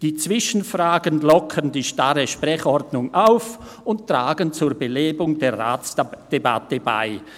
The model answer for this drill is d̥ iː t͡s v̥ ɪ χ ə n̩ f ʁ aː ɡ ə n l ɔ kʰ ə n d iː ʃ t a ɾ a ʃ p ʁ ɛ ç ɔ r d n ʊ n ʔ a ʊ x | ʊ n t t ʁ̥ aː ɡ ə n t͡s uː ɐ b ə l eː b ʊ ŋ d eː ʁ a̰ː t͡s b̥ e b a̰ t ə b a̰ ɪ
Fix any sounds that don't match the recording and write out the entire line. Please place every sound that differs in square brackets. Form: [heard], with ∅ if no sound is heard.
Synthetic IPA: d̥ iː t͡s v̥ ɪ [ʃ] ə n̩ f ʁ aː ɡ ə n l ɔ kʰ ə n d iː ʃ t a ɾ [ə] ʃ p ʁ ɛ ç ɔ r d n ʊ [ŋ] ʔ a ʊ [f] | ʊ n t t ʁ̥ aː ɡ ə n t͡s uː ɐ b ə l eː b ʊ ŋ d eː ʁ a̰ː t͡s [d̥] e b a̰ t ə b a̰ ɪ